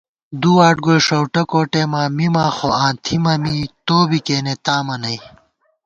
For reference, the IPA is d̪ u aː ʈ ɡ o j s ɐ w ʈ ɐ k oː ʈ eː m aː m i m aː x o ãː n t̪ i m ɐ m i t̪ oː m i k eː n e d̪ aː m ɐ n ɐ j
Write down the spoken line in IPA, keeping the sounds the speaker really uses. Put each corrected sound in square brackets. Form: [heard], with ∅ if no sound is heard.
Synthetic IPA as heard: d̪ u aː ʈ ɡ o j [ʂ] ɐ w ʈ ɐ k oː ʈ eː m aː m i m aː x o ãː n [t̪ʰ] i m ɐ m i t̪ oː [b] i k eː n e [t̪] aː m ɐ n ɐ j